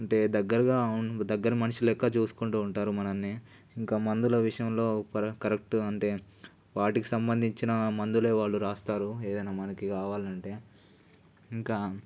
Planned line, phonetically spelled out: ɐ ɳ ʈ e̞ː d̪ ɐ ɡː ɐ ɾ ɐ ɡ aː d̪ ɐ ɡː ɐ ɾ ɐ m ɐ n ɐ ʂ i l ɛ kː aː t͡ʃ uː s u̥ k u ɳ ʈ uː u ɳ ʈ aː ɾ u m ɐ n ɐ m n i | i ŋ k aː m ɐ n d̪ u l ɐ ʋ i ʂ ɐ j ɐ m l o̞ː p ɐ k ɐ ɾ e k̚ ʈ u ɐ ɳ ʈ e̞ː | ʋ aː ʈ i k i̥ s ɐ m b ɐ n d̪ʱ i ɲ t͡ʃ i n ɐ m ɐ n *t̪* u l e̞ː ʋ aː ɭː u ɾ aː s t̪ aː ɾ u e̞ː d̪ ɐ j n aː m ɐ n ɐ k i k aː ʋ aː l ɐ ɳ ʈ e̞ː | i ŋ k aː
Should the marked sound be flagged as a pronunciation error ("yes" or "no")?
yes